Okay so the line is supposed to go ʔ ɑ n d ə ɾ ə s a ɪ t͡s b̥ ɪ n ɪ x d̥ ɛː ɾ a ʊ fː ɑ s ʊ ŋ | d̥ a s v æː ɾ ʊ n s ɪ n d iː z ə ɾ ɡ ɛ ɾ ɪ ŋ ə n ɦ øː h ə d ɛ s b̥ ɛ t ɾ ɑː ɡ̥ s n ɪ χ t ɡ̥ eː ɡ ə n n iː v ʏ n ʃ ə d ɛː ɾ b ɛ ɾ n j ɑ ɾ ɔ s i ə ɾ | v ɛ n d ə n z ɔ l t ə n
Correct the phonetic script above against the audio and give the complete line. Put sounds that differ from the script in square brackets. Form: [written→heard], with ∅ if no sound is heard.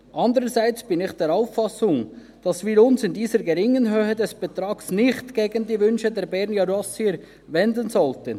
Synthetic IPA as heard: ʔ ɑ n d ə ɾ ə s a ɪ t͡s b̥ ɪ n ɪ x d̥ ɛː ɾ a ʊ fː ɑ s ʊ ŋ | d̥ [a→ɑ] s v [æː→iː] ɾ ʊ n s ɪ n d iː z ə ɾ ɡ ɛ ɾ ɪ ŋ ə n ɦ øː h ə d ɛ s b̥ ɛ t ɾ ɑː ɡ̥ s n ɪ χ t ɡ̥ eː ɡ ə n [n→d] iː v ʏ n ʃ ə d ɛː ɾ b ɛ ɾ n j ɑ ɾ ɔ s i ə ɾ | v ɛ n d ə n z ɔ l t ə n